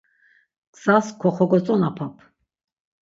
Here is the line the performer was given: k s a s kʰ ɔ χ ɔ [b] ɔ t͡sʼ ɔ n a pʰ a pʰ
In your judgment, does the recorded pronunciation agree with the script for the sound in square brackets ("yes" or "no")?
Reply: no